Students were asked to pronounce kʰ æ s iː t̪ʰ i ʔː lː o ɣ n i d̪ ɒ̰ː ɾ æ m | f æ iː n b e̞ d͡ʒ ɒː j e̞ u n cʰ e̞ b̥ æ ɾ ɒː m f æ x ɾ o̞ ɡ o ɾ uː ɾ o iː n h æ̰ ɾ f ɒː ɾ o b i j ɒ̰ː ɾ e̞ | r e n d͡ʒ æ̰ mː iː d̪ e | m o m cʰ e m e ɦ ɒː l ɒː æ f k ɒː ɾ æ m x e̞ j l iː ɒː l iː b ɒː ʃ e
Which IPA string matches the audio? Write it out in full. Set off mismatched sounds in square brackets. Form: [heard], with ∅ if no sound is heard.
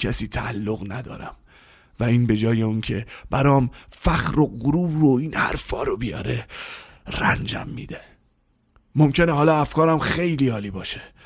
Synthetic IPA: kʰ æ s iː t̪ʰ [æ] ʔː lː o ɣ n [æ] d̪ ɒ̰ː ɾ æ m | [v] æ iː n b e̞ d͡ʒ ɒː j e̞ u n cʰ e̞ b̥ æ ɾ ɒː m f æ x ɾ o̞ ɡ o ɾ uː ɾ o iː n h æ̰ ɾ f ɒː ɾ o b i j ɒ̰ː ɾ e̞ | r [æ] n d͡ʒ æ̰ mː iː d̪ e | m o m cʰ e [n] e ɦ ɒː l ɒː æ f k ɒː ɾ æ m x e̞ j l iː ɒː l iː b ɒː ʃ e